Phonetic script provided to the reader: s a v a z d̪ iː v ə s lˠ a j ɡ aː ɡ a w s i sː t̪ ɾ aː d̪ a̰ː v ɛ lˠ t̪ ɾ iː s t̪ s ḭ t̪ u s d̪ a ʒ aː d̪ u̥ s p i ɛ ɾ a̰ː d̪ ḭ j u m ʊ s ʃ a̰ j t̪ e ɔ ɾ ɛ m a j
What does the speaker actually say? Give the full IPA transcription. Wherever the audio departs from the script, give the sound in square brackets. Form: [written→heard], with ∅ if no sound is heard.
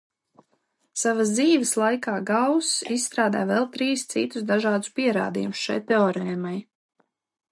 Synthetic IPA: s a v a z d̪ iː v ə s lˠ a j [ɡ→k] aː ɡ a w s i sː t̪ ɾ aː d̪ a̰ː v ɛ lˠ t̪ ɾ iː s t̪ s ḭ t̪ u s d̪ a ʒ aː d̪ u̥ s p i ɛ ɾ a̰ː d̪ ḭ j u m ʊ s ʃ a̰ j t̪ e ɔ ɾ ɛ m a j